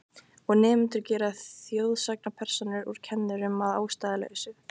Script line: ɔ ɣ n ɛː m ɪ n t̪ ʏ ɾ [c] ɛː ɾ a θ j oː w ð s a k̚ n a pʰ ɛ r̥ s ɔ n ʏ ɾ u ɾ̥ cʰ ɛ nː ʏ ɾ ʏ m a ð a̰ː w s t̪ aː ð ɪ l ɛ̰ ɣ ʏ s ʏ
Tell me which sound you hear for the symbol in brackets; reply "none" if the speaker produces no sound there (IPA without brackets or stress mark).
c